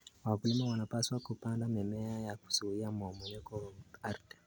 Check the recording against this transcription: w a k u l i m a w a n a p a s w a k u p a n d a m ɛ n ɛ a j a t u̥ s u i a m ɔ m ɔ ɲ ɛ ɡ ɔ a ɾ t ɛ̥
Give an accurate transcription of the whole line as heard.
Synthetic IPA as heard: w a k u l i m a w a n a p a s w a k u p a n d a m ɛ m ɛ a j a k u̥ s u i a m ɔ m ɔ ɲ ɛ k ɔ a ɾ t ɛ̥